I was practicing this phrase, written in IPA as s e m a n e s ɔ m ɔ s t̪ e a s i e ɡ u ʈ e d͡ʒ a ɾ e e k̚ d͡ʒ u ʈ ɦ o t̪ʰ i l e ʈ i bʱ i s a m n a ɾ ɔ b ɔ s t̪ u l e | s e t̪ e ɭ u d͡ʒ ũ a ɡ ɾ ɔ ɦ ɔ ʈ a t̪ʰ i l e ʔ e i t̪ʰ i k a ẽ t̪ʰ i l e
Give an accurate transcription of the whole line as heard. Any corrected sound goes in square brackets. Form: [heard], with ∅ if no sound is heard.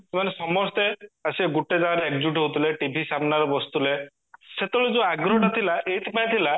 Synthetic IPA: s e m a n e s ɔ m ɔ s t̪ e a s i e ɡ u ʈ e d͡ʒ a ɾ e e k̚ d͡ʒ u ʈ ɦ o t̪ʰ i l e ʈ i bʱ i s a m n a ɾ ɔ b ɔ s t̪ u l e | s e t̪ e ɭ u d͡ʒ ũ a ɡ ɾ ɔ ɦ ɔ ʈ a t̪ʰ i l [a] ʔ e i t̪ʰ i [p] a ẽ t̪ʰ i l [a]